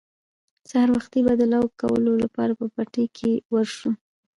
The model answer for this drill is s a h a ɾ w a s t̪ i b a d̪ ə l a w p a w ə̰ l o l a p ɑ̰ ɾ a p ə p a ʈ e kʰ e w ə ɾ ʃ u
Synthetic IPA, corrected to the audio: s a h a ɾ w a x t̪ i b a d̪ ə l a w k a w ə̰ l o l a p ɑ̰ ɾ a p ə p a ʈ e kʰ e w ə ɾ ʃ u